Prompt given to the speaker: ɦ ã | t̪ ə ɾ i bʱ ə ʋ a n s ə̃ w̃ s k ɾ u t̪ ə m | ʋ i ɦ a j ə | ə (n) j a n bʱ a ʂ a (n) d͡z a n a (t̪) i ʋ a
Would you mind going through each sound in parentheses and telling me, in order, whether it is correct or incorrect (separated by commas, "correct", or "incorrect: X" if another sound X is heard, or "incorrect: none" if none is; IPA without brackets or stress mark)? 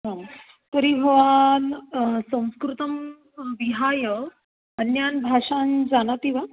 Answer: correct, correct, correct